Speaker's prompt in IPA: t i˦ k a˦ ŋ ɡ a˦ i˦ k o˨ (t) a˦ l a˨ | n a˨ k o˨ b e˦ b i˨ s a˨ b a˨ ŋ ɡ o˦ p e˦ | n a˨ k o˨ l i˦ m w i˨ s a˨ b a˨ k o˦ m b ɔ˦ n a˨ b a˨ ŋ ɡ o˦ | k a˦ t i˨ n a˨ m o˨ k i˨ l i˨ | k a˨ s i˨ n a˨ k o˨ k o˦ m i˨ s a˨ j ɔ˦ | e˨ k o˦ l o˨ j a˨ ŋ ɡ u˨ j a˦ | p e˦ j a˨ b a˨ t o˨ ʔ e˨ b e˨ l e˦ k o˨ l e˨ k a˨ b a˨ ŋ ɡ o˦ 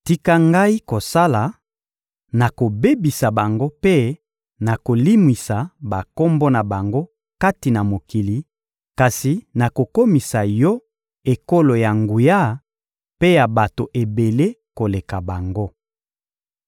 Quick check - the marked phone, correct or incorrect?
incorrect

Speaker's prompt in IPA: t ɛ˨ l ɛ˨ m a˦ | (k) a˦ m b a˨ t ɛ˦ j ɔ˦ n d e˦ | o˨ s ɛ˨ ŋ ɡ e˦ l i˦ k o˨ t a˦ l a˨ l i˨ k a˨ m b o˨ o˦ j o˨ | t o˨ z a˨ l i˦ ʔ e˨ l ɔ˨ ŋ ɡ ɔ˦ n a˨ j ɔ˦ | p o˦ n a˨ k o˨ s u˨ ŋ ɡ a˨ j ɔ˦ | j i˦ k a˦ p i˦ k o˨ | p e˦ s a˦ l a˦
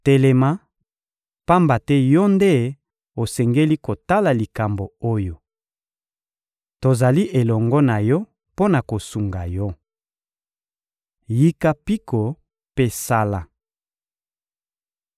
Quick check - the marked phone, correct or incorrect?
incorrect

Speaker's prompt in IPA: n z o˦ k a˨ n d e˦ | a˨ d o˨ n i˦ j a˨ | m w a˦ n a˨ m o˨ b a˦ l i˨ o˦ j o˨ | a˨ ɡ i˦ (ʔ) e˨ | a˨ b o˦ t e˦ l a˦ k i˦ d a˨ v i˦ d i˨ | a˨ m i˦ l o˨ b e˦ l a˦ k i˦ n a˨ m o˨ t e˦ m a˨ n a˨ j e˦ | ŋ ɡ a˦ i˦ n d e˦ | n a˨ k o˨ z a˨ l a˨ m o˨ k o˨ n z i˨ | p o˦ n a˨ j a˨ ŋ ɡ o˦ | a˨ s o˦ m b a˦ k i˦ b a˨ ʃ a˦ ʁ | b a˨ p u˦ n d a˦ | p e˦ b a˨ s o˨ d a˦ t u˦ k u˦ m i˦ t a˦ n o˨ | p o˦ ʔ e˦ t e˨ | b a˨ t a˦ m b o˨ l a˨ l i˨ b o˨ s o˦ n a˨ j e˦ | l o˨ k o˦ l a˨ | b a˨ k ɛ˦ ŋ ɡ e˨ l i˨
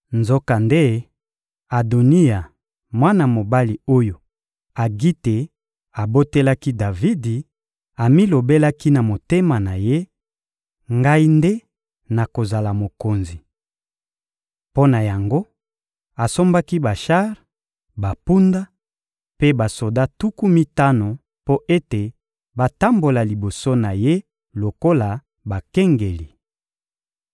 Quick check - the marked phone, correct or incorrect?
incorrect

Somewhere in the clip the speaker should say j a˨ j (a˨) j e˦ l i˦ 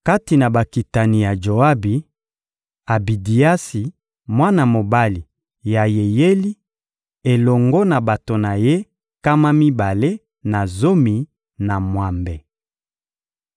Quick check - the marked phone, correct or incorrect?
incorrect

